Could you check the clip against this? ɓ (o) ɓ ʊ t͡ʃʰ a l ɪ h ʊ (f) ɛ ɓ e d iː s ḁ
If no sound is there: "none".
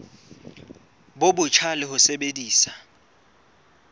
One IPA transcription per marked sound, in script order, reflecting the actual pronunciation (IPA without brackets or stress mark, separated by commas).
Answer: o, s